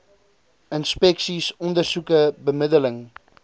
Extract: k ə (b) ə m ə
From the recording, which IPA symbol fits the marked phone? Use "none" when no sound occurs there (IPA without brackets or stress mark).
b